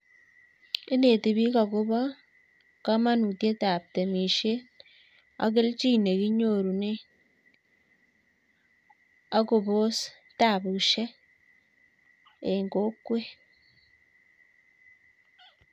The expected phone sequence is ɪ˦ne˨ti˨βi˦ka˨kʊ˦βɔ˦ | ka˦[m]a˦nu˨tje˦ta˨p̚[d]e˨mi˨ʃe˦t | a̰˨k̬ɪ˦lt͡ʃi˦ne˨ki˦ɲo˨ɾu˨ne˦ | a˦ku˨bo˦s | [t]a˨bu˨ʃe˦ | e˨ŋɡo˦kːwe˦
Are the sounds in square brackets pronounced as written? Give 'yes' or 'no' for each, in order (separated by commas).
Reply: yes, no, yes